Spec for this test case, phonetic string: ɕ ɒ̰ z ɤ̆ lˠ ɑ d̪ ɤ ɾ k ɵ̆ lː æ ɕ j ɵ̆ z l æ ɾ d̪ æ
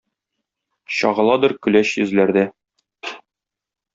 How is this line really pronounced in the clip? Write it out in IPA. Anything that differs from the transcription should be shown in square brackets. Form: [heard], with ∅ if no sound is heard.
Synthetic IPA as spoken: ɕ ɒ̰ [ʁ] ɤ̆ lˠ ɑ d̪ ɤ ɾ k ɵ̆ [l] æ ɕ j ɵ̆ z l æ ɾ d̪ æ